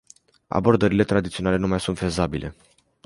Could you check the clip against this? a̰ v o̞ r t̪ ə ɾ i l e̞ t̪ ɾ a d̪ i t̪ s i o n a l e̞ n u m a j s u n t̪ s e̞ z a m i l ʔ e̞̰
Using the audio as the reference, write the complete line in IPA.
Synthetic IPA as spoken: a̰ b o̞ r d̪ ə ɾ i l e̞ t̪ ɾ a d̪ i t̪ s i o n a l e̞ n u m a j s u n t̪ f e̞ z a b i l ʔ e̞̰